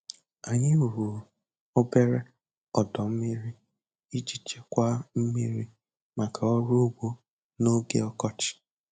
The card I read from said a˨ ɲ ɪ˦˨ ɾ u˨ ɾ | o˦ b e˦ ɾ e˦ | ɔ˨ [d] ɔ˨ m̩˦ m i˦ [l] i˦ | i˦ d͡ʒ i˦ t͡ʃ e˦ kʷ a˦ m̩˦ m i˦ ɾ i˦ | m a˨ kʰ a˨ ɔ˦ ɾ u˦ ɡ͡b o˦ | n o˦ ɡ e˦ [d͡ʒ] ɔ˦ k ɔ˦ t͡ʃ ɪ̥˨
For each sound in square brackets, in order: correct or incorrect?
correct, incorrect: ɾ, incorrect: none

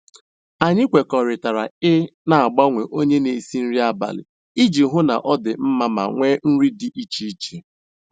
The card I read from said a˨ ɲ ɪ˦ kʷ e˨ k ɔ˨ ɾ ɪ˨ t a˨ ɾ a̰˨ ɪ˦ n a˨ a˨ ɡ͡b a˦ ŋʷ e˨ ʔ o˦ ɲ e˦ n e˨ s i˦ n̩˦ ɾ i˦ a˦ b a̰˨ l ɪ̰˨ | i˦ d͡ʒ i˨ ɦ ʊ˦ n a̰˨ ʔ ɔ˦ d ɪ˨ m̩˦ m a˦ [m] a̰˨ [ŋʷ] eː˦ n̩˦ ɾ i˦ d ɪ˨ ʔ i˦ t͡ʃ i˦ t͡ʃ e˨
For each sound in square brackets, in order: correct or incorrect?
correct, correct

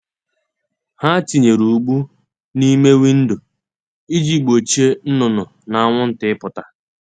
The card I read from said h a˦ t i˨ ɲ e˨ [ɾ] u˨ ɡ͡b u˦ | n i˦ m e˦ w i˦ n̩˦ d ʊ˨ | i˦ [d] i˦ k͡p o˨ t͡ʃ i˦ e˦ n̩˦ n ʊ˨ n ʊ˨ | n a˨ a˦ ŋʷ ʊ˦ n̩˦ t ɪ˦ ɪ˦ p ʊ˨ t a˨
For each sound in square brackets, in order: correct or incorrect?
correct, incorrect: d͡ʒ

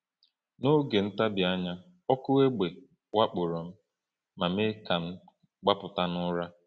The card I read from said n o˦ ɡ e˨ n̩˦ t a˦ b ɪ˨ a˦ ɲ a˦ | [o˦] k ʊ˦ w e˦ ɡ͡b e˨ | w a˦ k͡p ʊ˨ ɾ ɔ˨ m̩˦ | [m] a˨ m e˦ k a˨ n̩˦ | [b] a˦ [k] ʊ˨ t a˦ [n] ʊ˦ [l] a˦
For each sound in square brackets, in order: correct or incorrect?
incorrect: ɔ˦, correct, incorrect: ɡ͡b, incorrect: p, correct, incorrect: ɾ

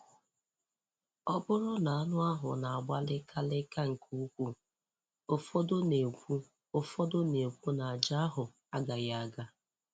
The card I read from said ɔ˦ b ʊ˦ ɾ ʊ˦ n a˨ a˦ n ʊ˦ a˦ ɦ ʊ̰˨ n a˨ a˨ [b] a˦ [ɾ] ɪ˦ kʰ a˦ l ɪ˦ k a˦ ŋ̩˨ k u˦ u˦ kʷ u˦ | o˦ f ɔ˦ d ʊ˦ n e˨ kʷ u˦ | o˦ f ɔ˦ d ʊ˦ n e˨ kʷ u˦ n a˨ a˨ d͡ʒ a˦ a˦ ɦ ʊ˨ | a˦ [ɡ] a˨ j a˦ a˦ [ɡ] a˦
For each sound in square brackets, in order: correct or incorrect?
incorrect: ɡ͡b, incorrect: l, correct, correct

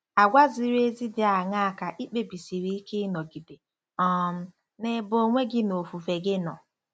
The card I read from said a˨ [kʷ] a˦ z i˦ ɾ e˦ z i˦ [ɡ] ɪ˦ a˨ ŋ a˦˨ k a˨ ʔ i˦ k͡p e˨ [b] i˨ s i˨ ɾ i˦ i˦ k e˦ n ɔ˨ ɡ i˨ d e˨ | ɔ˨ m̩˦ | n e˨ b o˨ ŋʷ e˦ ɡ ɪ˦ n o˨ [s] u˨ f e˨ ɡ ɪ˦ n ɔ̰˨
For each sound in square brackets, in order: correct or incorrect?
incorrect: ɡʷ, incorrect: d, correct, incorrect: f

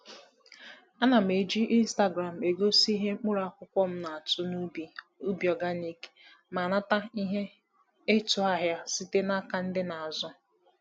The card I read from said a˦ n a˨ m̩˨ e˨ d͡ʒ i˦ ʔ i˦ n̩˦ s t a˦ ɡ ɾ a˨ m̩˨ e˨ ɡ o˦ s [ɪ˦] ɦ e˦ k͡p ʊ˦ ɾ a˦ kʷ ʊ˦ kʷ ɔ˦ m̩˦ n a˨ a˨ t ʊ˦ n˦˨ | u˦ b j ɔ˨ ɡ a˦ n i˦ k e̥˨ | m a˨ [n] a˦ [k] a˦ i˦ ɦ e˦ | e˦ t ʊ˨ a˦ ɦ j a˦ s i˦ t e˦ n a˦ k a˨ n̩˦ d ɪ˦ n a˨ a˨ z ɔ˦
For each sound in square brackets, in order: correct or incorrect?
incorrect: i˦, correct, incorrect: t

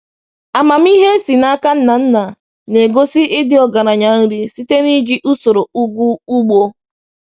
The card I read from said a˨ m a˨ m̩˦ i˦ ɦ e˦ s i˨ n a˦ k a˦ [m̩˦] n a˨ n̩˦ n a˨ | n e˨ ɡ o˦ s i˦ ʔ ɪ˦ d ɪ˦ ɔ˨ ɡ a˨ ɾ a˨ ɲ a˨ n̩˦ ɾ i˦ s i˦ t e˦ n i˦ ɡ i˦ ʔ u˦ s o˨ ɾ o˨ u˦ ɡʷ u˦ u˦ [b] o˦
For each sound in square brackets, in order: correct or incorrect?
incorrect: n̩˦, incorrect: ɡ͡b

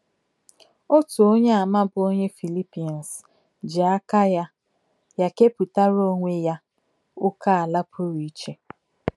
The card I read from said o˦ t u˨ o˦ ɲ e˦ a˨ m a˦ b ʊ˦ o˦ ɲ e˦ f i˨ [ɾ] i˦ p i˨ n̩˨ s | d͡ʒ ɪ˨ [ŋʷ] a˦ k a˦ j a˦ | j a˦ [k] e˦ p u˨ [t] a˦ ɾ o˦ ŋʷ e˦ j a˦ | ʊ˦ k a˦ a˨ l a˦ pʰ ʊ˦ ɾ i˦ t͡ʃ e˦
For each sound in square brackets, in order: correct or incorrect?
incorrect: l, incorrect: none, correct, correct

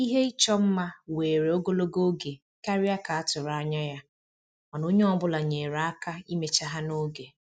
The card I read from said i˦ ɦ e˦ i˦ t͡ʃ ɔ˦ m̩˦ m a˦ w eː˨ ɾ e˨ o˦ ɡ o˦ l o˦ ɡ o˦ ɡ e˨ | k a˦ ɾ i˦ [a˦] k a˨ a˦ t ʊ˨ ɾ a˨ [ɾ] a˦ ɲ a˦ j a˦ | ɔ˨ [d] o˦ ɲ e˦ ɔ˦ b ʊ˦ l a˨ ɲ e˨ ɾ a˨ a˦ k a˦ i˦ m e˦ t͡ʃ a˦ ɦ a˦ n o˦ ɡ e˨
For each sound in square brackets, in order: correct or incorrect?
correct, incorrect: none, incorrect: n

